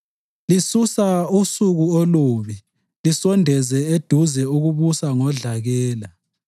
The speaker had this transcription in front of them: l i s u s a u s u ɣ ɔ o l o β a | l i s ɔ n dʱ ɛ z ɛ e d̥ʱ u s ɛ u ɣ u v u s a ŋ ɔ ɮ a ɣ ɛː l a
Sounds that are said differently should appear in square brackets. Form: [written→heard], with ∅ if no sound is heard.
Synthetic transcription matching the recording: l i s u s a u s u ɣ [ɔ→u] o l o β [a→i] | l i s ɔ n dʱ ɛ z ɛ e d̥ʱ u [s→z] ɛ u ɣ u [v→β] u s a ŋ ɔ ɮ a ɣ ɛː l a